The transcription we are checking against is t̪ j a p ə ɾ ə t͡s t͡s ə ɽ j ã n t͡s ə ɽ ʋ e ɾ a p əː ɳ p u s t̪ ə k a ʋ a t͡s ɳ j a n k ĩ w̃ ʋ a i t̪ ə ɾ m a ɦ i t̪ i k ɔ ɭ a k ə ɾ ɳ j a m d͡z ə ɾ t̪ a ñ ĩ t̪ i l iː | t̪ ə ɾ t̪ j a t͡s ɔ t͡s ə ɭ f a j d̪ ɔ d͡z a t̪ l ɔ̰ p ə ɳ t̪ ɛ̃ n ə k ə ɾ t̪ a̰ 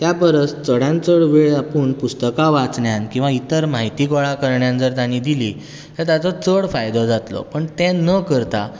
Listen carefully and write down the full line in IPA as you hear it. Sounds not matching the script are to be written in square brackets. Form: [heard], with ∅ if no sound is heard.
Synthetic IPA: t̪ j a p ə ɾ ə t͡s t͡s ə ɽ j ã n t͡s ə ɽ ʋ e [ɭ] a p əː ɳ p u s t̪ ə k a ʋ a t͡s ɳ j a n k ĩ w̃ ʋ a i t̪ ə ɾ m a ɦ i t̪ i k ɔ ɭ a k ə ɾ ɳ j a [n] d͡z ə ɾ t̪ a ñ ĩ [d̪] i l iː | t̪ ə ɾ t̪ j a t͡s ɔ t͡s ə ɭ f a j d̪ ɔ d͡z a t̪ l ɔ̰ p ə ɳ t̪ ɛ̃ n ə k ə ɾ t̪ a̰

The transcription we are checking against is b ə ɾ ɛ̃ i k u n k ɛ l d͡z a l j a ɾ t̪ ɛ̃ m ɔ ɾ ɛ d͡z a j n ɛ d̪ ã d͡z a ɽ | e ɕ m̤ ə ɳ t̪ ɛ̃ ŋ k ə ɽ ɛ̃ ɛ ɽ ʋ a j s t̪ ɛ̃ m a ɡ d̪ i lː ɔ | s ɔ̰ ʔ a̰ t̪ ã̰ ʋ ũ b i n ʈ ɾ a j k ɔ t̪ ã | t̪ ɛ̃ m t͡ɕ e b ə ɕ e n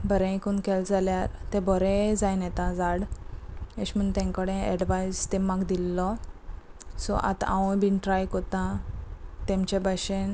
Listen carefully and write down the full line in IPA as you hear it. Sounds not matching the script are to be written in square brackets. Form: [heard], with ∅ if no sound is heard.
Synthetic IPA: b ə ɾ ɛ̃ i k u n k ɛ l d͡z a l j a ɾ t̪ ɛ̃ [b] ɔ ɾ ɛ d͡z a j n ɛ [t̪] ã d͡z a ɽ | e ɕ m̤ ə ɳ t̪ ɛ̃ ŋ k ə ɽ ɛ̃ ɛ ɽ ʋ a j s t̪ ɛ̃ m a ɡ d̪ i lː ɔ | s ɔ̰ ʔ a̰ t̪ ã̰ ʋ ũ b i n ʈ ɾ a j k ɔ t̪ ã | t̪ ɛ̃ m t͡ɕ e b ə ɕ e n

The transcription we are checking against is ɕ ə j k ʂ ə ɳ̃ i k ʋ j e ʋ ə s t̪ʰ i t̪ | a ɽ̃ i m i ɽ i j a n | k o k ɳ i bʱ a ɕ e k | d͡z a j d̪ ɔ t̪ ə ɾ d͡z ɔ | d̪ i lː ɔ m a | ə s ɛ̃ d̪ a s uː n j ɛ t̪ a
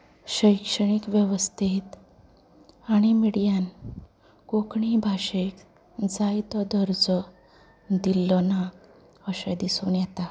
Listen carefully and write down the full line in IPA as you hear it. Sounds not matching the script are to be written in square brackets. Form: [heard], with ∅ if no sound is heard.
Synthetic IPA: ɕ ə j k ʂ ə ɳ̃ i k ʋ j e ʋ ə s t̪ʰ i t̪ | a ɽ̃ i m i ɽ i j a n | k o k ɳ i bʱ a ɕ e k | d͡z a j [t̪] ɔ [d̪] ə ɾ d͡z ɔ | d̪ i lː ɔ [n] a | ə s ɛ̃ d̪ [i] s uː n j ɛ t̪ a

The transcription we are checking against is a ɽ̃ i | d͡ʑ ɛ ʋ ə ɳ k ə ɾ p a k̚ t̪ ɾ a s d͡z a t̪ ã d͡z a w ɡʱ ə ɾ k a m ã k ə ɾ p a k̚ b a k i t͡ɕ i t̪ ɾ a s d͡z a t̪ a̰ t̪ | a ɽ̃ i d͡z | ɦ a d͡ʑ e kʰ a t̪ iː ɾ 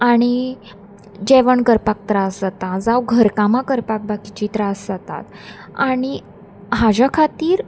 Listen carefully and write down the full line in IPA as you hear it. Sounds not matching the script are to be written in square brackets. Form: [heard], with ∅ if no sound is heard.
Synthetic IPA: a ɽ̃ i | d͡ʑ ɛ ʋ ə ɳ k ə ɾ p a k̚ t̪ ɾ a s d͡z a t̪ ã d͡z a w ɡʱ ə ɾ k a m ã k ə ɾ p a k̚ b a k i t͡ɕ i t̪ ɾ a s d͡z a t̪ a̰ t̪ | a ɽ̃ i [∅] | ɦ a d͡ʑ [a] kʰ a t̪ iː ɾ

